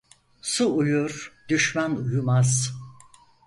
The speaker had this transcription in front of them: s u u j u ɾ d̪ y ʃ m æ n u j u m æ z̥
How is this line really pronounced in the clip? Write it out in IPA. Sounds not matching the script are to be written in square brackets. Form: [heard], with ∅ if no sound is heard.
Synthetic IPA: s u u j u ɾ d̪ y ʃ m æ n u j u m [a] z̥